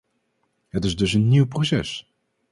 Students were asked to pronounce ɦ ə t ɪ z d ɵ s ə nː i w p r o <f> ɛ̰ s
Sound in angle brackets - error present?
yes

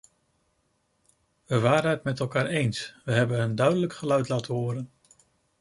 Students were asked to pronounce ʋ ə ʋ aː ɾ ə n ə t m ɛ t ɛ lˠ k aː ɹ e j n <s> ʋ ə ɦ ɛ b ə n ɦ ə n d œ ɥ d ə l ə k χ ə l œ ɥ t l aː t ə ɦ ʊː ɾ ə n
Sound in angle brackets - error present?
no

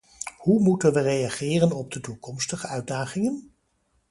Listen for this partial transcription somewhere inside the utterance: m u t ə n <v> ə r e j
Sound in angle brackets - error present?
yes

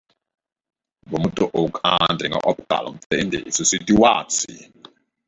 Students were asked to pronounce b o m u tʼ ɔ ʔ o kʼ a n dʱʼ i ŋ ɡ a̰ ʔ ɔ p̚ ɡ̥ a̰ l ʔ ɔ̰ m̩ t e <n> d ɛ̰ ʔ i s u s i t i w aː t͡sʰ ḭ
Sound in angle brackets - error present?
no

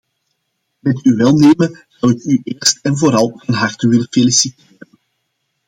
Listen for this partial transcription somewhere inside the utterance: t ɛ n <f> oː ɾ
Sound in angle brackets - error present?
yes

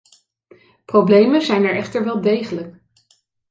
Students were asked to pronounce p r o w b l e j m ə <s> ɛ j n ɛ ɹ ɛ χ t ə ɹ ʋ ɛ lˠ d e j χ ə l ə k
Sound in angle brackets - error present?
yes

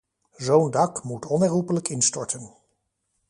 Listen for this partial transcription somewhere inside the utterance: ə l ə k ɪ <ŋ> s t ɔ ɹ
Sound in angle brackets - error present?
yes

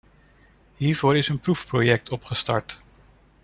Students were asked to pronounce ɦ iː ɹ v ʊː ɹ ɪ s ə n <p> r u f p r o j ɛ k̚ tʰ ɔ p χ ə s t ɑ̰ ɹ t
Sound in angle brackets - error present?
no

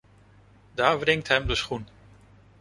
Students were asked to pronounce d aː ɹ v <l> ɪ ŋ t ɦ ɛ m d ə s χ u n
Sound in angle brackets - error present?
yes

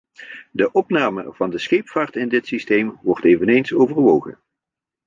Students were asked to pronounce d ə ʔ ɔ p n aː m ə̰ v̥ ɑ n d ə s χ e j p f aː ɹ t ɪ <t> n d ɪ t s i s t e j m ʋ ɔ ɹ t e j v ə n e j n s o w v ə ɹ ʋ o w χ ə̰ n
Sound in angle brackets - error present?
yes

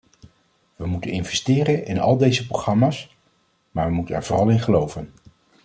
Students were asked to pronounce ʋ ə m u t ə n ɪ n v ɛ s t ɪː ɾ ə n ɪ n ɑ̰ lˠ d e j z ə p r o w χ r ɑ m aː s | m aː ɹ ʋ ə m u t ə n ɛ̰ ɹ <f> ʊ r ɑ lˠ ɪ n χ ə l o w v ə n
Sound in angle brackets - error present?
yes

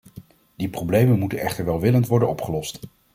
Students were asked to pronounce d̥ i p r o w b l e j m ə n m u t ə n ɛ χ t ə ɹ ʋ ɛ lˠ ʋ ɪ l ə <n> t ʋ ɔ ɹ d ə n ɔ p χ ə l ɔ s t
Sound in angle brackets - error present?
no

